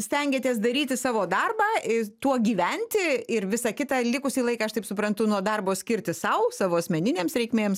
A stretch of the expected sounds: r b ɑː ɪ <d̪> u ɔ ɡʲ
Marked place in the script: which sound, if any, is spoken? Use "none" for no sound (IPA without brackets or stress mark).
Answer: t̪